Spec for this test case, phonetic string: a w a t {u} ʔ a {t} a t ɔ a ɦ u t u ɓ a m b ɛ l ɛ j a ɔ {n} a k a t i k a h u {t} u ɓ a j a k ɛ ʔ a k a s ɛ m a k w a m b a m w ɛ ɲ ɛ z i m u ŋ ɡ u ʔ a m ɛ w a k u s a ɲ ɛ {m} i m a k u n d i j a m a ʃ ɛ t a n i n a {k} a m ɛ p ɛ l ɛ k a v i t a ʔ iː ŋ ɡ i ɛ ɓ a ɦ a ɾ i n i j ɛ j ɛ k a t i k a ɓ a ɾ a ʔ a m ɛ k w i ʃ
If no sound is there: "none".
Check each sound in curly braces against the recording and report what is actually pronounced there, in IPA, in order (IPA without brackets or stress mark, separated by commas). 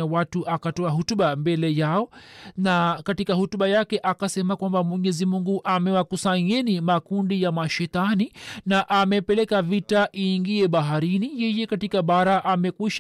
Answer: u, k, n, t, n, ʔ